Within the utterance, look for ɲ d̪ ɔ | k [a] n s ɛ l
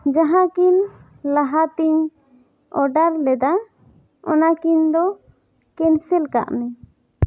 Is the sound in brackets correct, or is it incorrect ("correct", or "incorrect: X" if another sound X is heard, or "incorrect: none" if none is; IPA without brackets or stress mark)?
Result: incorrect: ɛ